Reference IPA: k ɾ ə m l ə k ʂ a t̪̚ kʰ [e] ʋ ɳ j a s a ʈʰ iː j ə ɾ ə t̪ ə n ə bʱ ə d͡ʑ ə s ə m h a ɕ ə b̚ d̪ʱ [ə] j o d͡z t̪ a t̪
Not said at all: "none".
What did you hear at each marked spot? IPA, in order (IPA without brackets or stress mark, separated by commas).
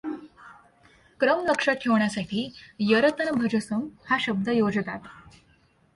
e, ə